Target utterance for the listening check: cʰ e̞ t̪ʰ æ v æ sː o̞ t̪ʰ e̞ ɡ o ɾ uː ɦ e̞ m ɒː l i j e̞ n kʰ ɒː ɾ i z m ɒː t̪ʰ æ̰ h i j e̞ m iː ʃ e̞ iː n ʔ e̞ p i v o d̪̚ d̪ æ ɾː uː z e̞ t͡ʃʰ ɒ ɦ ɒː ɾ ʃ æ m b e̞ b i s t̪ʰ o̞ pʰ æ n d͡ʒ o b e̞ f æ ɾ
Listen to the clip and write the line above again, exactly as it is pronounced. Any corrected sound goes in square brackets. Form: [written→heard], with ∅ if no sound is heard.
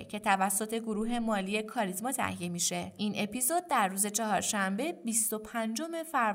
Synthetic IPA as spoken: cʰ e̞ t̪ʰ æ v æ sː o̞ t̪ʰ e̞ ɡ o ɾ uː ɦ e̞ m ɒː l i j e̞ [n→∅] kʰ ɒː ɾ i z m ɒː t̪ʰ æ̰ h i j e̞ m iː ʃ e̞ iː n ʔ e̞ p i [v→z] o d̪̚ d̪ æ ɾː uː z e̞ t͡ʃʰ ɒ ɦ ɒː ɾ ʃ æ m b e̞ b i s [t̪ʰ→t̪] o̞ pʰ æ n d͡ʒ o [b→m] e̞ f æ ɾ